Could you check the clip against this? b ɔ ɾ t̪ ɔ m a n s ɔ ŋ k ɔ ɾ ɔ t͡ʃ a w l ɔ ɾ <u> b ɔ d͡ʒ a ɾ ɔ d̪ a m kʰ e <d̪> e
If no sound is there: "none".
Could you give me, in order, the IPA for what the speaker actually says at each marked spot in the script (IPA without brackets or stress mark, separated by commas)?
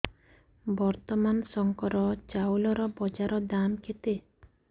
ɔ, t̪